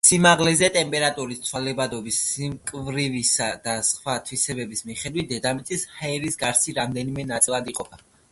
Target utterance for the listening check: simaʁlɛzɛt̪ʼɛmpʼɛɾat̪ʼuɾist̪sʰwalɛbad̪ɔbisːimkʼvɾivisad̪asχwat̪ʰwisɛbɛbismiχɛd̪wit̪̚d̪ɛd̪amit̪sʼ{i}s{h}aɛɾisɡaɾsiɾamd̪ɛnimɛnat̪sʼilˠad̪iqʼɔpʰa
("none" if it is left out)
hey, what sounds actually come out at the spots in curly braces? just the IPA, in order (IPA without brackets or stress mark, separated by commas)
i, h